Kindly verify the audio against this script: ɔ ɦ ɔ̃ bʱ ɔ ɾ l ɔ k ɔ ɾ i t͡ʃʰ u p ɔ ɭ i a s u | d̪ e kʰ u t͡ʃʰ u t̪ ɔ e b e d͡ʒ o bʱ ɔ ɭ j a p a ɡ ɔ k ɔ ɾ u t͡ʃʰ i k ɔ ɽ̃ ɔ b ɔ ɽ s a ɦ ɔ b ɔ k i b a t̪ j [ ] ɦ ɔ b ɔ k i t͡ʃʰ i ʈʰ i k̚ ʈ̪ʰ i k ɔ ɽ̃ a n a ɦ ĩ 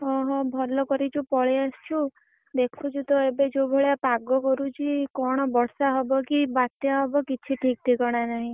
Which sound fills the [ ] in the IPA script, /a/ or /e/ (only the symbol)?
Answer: a